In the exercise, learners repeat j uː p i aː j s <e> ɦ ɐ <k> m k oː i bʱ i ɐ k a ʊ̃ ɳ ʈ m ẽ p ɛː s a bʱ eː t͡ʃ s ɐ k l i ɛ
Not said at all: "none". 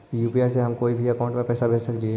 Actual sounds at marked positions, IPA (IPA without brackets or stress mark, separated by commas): e, none